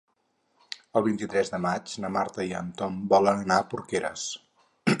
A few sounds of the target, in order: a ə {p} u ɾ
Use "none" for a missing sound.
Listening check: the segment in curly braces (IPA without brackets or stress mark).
p